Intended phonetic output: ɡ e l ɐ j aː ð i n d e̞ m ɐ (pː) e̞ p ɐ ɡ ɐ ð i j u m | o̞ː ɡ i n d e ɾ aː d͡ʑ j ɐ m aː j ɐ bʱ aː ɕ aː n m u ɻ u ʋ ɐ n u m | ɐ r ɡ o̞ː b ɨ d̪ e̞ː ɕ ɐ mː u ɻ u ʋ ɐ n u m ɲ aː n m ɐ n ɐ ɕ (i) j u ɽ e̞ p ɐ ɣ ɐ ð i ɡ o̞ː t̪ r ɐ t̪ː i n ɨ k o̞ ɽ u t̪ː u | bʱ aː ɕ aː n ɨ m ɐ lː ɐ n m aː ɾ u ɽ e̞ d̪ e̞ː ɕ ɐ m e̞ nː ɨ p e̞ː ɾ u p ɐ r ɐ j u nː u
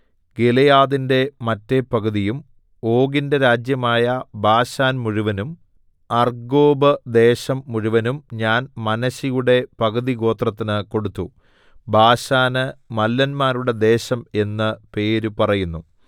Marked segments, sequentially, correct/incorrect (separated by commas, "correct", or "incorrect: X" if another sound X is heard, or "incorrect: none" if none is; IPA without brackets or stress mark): incorrect: tː, correct